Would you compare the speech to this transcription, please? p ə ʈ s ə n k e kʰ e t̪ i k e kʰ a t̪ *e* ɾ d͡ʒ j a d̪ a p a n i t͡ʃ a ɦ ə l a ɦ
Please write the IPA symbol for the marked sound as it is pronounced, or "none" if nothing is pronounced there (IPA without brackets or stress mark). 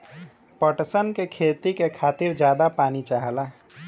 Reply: i